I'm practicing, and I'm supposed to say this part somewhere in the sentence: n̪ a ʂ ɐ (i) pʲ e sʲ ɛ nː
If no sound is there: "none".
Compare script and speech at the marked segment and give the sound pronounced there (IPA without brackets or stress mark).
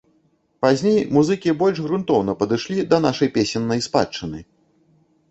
j